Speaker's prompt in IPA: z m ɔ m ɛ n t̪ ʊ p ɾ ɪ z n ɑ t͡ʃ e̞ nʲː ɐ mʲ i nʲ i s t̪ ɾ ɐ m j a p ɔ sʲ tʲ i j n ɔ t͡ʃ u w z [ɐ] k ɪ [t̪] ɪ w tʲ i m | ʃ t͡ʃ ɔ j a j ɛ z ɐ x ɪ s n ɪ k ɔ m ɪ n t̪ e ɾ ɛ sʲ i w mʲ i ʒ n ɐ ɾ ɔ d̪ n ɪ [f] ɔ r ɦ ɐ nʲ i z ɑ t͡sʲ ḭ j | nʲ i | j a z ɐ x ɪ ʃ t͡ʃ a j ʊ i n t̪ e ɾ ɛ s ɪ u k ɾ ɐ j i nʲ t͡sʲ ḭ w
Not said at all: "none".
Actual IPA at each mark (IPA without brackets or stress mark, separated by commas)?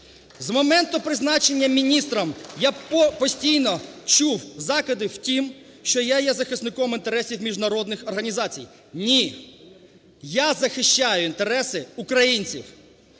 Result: ɑ, d̪, x